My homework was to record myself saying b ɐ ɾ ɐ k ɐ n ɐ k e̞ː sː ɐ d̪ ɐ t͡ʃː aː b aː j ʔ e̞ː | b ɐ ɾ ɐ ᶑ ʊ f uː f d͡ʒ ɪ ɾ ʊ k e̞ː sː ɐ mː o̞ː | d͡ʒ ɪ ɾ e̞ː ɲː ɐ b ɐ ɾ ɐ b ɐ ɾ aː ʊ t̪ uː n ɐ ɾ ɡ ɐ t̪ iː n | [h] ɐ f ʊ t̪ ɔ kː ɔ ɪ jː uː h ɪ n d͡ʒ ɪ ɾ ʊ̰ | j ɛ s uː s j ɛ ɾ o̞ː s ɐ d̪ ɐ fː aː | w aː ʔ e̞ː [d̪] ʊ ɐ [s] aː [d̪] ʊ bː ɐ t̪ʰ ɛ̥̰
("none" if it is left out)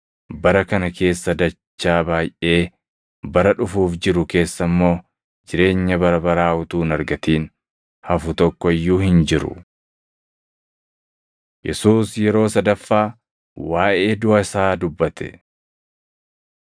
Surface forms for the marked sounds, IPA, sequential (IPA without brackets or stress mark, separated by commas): h, d̪, s, d̪